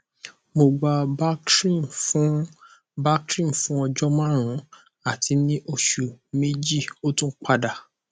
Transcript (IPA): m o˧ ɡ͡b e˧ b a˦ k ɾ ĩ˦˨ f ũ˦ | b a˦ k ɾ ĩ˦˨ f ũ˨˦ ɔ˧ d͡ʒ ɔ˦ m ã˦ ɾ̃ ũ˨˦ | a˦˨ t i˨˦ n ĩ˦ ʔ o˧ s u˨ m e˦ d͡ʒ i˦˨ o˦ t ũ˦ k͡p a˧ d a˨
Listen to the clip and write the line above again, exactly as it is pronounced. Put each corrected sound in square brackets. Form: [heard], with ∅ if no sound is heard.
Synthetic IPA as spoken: m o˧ ɡ͡b [a˧] b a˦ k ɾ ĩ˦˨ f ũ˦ | b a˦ k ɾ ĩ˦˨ f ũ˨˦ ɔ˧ d͡ʒ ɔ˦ m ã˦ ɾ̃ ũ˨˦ | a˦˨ t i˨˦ n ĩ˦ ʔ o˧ [ʃ] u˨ m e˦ d͡ʒ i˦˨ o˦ t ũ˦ k͡p a˧ d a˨

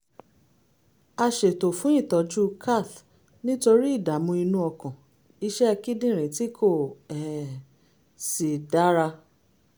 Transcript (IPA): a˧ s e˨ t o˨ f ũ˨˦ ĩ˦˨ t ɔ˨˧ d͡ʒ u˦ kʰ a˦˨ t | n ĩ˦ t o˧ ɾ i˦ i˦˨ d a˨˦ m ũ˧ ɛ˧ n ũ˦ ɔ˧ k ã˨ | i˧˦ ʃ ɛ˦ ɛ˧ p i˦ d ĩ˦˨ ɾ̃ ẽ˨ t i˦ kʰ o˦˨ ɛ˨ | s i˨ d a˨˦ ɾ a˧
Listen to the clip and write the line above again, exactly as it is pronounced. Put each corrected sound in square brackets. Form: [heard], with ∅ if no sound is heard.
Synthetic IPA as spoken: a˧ [ʃ] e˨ t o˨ f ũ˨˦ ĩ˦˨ t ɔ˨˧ d͡ʒ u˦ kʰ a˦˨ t | n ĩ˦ t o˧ ɾ i˦ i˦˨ d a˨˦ m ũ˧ [i˧] n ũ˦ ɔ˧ k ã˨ | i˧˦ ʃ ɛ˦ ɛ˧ [k] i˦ d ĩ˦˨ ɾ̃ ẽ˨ t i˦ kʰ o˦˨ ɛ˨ | s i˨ d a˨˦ ɾ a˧

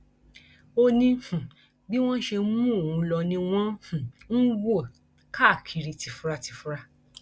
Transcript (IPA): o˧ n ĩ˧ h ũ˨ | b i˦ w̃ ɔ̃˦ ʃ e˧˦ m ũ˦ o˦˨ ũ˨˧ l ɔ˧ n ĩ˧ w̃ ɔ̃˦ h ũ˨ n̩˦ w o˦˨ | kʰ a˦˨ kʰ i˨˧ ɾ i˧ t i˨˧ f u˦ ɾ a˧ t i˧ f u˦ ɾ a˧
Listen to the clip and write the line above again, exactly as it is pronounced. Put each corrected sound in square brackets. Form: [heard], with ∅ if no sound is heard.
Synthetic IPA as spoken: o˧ n ĩ˧ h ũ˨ | b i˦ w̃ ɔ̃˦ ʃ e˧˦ m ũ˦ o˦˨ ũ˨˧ l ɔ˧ n ĩ˧ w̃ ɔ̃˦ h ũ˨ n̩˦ w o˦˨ | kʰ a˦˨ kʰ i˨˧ ɾ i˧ t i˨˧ f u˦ ɾ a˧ t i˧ f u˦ ɾ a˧

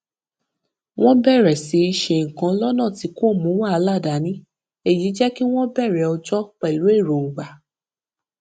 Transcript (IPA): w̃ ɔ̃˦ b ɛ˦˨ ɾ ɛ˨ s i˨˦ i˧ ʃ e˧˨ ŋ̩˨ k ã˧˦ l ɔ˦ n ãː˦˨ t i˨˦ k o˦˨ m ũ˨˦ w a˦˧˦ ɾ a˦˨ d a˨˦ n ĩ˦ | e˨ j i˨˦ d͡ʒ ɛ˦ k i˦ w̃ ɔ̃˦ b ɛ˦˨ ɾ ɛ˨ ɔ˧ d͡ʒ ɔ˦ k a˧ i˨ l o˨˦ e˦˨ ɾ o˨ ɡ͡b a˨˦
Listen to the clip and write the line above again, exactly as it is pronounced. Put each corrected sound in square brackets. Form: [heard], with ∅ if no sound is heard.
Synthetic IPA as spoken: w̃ ɔ̃˦ b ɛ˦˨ ɾ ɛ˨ s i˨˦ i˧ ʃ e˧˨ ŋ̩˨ k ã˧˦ l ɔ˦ n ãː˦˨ t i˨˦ k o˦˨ m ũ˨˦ w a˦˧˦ [l] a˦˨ d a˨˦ n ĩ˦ | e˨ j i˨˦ d͡ʒ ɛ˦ k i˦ w̃ ɔ̃˦ b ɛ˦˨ ɾ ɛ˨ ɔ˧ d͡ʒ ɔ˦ [k͡p] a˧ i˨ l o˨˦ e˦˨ ɾ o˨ ɡ͡b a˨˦

